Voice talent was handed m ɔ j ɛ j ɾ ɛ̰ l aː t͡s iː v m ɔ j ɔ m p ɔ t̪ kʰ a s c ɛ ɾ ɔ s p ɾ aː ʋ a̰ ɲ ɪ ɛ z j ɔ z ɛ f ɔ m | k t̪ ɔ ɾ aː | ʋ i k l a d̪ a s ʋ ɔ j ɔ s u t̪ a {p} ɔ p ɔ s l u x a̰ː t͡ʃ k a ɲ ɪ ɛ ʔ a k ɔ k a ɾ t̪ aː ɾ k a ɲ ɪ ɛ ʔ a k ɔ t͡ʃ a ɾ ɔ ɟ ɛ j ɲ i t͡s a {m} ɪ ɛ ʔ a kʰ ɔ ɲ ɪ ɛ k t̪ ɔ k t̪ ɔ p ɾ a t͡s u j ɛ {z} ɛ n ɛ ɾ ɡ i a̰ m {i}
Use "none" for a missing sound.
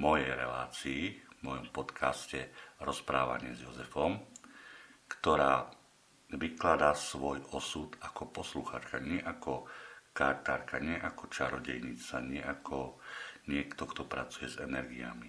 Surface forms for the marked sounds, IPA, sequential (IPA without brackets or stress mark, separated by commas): k, ɲ, z, i